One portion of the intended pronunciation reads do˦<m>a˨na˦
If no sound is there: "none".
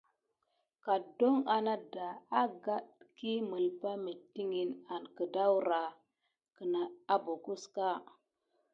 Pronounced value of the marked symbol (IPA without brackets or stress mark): ŋ